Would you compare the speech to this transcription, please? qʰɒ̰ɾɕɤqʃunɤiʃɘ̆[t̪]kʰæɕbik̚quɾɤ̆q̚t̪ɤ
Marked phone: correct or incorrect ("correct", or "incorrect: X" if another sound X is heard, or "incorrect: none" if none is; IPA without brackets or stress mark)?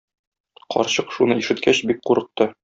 correct